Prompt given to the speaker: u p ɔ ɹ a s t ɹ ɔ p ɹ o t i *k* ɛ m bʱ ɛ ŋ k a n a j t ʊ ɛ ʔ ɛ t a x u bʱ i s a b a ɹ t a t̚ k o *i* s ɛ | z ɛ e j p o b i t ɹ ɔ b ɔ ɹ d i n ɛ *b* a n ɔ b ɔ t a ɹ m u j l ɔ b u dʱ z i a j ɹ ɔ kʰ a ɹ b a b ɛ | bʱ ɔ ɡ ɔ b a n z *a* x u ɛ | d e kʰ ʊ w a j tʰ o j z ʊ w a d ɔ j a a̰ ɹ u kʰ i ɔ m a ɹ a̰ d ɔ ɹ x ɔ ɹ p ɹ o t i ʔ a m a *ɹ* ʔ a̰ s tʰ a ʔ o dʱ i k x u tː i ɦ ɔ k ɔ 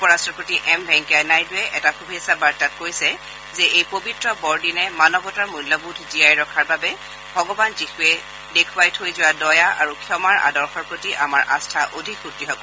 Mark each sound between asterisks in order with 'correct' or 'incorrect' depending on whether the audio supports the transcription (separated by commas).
incorrect, incorrect, incorrect, incorrect, correct